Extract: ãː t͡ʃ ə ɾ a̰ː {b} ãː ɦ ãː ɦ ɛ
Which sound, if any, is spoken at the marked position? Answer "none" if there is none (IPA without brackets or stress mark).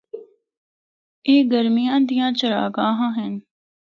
ɡ